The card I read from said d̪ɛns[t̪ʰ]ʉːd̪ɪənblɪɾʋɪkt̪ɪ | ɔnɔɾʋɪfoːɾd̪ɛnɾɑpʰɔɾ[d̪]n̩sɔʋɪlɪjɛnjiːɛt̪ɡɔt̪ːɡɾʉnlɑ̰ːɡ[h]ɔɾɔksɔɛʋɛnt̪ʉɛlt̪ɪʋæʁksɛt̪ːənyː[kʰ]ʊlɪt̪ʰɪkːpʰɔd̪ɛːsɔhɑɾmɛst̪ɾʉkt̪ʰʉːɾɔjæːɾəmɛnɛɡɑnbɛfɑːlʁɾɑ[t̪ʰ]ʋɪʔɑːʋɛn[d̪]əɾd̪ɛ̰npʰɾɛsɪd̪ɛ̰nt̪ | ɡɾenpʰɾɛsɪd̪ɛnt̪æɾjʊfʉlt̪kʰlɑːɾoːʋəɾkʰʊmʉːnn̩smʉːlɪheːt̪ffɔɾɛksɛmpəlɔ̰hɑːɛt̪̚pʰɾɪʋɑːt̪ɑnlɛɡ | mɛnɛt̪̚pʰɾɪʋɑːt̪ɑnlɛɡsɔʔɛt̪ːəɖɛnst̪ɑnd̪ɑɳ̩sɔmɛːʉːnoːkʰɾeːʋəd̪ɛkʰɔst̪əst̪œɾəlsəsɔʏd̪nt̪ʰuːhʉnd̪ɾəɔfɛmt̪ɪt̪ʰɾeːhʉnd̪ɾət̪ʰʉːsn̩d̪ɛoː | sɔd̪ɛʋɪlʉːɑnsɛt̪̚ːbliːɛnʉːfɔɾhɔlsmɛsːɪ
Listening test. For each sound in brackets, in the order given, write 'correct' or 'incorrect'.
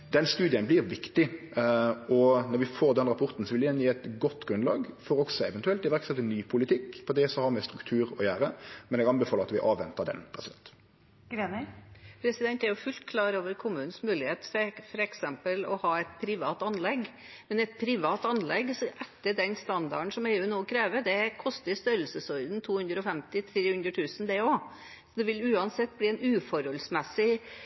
incorrect: t̪, incorrect: t̪, incorrect: f, incorrect: pʰ, incorrect: t̪, incorrect: t̪

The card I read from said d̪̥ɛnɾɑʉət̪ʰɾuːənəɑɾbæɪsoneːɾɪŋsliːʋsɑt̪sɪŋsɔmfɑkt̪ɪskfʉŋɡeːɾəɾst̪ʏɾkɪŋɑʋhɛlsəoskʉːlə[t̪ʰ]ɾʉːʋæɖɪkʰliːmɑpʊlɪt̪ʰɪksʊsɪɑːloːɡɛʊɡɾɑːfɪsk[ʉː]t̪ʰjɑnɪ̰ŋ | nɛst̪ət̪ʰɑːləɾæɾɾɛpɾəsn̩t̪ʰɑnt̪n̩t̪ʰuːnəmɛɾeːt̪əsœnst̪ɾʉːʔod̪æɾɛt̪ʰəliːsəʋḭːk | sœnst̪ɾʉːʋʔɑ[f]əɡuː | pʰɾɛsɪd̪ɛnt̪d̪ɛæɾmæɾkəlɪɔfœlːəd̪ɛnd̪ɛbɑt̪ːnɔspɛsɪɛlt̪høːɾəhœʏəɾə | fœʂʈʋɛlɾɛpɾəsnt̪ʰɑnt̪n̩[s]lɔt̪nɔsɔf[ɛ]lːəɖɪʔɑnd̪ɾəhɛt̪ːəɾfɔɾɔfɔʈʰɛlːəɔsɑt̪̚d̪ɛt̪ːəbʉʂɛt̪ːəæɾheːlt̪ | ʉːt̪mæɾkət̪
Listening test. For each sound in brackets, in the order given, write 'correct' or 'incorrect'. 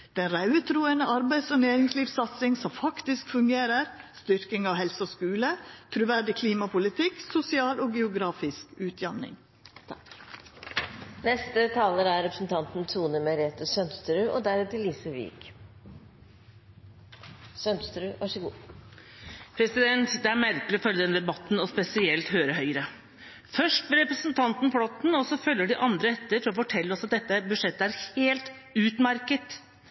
correct, correct, incorrect: ʂ, incorrect: f, incorrect: œ

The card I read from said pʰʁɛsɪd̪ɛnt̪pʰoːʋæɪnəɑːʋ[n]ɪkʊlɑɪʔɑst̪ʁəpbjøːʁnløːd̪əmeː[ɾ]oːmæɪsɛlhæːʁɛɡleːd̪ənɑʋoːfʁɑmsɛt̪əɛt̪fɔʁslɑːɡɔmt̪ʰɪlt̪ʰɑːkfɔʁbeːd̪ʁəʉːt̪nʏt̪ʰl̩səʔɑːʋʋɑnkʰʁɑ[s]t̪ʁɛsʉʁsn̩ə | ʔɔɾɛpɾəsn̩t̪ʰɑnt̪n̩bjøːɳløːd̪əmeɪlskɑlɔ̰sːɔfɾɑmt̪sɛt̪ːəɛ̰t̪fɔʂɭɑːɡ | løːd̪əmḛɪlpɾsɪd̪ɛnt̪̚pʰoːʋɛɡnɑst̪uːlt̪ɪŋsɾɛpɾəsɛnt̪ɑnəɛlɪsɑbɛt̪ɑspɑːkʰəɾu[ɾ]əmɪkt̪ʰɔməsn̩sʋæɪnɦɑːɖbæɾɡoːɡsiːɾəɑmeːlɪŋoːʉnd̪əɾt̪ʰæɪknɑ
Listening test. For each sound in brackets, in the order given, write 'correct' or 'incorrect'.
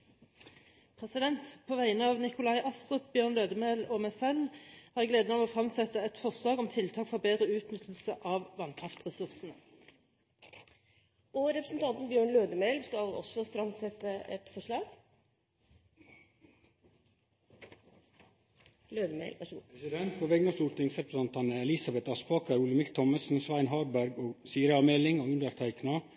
correct, incorrect: l, incorrect: f, incorrect: l

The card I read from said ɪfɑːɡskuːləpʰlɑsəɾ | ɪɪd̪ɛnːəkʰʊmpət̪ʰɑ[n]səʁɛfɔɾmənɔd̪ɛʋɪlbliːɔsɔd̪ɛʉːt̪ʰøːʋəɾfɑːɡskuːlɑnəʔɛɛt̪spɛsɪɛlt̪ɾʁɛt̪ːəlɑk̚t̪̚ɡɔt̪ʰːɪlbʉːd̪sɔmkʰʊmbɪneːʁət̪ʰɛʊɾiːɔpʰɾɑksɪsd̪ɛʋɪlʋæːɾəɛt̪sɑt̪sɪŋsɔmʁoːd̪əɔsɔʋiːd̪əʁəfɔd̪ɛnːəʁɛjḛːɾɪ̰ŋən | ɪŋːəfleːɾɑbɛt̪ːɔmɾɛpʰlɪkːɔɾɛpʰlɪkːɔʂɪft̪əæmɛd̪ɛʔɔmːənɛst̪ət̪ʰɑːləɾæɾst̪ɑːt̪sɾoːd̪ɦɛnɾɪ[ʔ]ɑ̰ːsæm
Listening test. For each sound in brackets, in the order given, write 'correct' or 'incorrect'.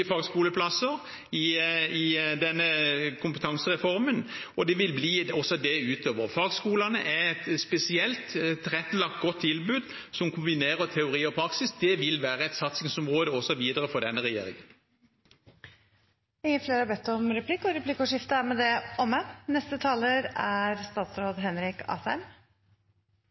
incorrect: ŋ, incorrect: k

